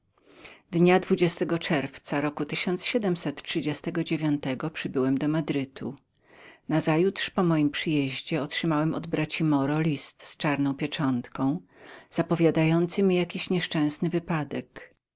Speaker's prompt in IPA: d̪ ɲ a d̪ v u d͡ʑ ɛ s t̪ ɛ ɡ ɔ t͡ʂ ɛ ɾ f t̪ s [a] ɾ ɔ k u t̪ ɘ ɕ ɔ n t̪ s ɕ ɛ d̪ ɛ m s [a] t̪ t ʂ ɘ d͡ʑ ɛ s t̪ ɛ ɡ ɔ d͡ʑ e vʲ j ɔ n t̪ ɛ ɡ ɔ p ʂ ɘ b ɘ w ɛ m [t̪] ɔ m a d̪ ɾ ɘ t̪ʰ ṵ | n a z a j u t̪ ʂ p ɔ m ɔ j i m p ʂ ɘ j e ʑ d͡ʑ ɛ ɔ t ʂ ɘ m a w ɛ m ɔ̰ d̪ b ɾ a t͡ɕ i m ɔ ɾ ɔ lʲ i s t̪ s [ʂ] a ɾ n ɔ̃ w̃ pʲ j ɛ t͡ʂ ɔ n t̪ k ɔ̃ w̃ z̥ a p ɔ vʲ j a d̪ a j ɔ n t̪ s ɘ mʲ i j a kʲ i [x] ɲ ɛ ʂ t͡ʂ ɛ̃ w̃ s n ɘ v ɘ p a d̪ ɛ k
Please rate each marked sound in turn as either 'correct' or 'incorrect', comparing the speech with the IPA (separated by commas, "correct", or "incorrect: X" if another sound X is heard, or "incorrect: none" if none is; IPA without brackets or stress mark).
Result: correct, incorrect: ɛ, incorrect: d̪, incorrect: t͡ʂ, incorrect: ɕ